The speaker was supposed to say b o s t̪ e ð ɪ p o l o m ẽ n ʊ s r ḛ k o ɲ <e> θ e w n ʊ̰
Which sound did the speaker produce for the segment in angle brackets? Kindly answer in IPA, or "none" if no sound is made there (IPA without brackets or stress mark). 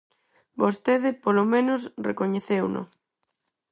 e